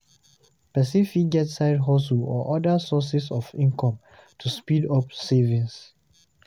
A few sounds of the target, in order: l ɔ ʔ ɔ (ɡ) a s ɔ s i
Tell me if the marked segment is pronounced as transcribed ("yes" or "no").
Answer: no